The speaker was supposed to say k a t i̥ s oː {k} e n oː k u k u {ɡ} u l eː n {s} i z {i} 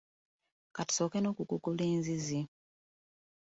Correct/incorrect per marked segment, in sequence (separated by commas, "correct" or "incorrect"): correct, incorrect, incorrect, correct